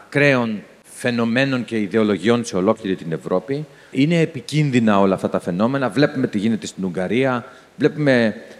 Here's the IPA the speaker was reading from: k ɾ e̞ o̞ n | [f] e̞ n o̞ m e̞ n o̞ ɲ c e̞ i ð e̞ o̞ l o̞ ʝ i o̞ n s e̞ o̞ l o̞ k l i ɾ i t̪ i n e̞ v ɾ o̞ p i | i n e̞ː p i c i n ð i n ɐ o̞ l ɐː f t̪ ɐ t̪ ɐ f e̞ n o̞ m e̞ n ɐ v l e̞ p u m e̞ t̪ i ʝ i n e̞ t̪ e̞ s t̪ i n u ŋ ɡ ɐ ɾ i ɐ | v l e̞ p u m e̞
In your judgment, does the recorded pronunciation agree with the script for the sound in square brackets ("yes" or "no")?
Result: yes